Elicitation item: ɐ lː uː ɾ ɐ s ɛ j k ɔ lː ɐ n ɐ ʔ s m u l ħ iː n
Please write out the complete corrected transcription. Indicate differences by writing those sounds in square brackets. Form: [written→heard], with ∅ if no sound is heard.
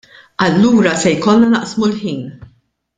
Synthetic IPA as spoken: ɐ lː uː ɾ ɐ s ɛ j k ɔ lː ɐ n ɐ ʔ s m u l ħ iː n